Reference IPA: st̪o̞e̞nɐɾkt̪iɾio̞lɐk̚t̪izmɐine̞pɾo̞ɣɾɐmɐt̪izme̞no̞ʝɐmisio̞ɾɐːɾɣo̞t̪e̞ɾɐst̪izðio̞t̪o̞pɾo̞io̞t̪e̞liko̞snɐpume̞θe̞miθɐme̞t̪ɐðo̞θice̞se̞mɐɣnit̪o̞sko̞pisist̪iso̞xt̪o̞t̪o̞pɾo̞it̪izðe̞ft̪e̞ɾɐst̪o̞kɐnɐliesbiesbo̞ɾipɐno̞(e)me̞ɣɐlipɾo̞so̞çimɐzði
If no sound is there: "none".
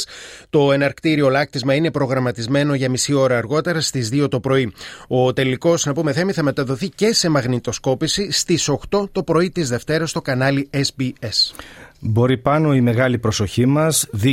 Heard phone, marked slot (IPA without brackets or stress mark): i